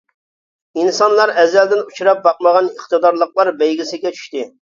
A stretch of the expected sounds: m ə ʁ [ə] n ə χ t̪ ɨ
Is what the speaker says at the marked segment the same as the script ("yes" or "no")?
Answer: no